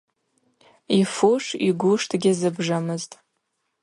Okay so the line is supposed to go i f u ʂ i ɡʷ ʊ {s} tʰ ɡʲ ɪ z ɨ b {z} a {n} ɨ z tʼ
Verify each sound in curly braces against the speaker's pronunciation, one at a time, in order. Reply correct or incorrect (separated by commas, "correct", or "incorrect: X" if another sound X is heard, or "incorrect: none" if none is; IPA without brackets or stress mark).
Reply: incorrect: ʂ, incorrect: ʐ, incorrect: m